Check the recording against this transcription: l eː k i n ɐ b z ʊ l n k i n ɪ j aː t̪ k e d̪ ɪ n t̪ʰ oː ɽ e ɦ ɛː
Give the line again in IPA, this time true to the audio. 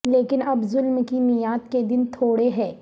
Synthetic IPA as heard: l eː k ɪ n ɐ b z ʊ l m k i n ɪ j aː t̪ k e d̪ ɪ n t̪ʰ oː ɽ e ɦ ɛː